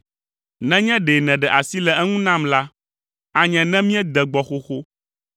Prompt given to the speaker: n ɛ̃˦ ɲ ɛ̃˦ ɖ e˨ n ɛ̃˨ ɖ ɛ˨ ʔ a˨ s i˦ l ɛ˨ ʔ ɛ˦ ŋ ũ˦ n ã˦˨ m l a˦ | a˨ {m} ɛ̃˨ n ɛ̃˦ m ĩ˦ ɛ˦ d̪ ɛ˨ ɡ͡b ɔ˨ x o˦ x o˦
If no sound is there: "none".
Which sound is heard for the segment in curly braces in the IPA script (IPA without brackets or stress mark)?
ɲ